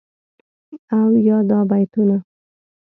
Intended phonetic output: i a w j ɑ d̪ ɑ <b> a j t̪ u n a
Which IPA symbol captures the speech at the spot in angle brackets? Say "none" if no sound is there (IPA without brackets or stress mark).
b